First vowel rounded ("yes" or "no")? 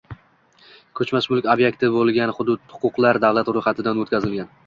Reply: yes